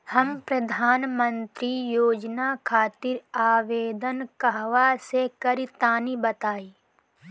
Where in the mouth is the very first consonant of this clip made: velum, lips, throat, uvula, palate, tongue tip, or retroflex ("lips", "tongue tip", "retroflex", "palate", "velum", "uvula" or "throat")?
throat